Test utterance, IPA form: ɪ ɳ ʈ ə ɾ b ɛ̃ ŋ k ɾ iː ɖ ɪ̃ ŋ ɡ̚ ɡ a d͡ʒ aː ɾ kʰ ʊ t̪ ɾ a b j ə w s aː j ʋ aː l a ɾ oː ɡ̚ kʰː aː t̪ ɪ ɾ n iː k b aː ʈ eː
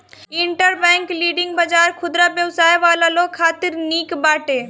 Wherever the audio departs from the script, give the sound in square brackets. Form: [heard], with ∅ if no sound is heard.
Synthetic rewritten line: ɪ ɳ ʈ ə ɾ b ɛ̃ ŋ k [l] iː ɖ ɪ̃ ŋ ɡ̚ [b] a d͡ʒ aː ɾ kʰ ʊ [d̪] ɾ a b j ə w s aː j ʋ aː l a [l] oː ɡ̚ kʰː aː t̪ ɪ ɾ n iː k b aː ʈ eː